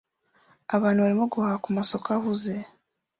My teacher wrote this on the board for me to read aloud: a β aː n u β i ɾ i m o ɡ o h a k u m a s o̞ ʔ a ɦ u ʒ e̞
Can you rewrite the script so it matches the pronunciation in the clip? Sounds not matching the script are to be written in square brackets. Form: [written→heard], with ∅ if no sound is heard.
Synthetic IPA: a β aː n u β [i→a] ɾ i m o ɡ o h a k u m a s o̞ [ʔ→k] a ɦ u [ʒ→z] e̞

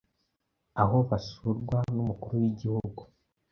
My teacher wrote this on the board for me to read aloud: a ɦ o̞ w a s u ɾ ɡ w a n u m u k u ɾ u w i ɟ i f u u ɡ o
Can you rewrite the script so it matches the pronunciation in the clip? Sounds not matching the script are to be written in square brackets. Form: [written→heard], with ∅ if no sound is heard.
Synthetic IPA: a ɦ o̞ [w→β] a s u ɾ ɡ w a n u m u k u ɾ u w i ɟ i [f→h] u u ɡ [o→u]

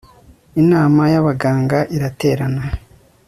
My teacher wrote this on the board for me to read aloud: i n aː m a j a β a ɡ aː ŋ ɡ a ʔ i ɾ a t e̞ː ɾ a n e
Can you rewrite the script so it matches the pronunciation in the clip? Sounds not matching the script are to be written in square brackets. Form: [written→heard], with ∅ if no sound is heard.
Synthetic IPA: i n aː m a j a β a ɡ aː ŋ ɡ a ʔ i ɾ a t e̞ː ɾ a n [e→a]

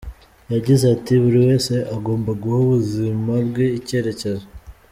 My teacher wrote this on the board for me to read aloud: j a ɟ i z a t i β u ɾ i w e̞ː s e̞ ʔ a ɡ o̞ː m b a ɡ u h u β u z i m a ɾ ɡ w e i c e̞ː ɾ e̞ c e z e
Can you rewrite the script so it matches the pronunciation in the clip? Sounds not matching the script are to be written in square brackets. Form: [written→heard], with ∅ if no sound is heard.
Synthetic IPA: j a ɟ i z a t i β u ɾ i w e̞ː s e̞ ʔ a ɡ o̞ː m b a ɡ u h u β u z i m a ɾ ɡ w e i c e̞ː ɾ e̞ c e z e

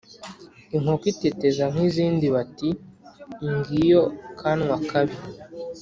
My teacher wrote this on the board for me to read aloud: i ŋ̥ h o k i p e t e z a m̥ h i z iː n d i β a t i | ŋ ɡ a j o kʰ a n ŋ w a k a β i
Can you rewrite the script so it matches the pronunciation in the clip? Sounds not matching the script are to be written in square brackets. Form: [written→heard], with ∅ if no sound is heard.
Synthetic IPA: i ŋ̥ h o k i [p→t] e t e z a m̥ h i z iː n d i β a t i | ŋ ɡ [a→i] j o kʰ a n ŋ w a k a β i

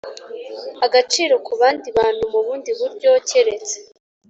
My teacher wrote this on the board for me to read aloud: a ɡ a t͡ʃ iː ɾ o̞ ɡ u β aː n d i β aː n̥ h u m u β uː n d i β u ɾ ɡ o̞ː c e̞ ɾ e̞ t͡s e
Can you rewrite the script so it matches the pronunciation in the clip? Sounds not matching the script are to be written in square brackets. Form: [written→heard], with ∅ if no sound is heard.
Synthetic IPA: a ɡ a t͡ʃ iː ɾ o̞ [ɡ→k] u β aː n d i β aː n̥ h u m u β uː n d i β u ɾ [ɡ→ɟ] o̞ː c e̞ ɾ e̞ t͡s e

